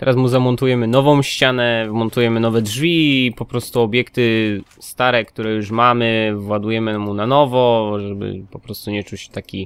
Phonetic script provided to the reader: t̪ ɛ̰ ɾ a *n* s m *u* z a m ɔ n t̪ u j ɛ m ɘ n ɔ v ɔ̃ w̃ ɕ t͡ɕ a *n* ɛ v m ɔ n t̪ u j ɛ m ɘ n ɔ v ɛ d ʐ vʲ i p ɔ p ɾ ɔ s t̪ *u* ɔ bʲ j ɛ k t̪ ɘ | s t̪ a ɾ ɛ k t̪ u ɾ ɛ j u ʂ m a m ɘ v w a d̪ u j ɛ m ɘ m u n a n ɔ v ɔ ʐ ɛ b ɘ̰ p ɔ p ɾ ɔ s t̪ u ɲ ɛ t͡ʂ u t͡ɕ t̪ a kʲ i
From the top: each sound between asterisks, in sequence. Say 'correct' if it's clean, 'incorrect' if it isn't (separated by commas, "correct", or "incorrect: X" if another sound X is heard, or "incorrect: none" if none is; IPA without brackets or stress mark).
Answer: incorrect: none, correct, correct, correct